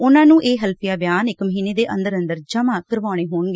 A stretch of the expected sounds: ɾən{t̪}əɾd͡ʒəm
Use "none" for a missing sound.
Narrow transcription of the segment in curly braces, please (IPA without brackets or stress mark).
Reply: d̪